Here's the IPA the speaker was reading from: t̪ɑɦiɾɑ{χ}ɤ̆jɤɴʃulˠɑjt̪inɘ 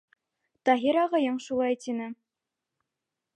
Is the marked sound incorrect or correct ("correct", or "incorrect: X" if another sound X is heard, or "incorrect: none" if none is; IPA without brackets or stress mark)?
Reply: incorrect: ʁ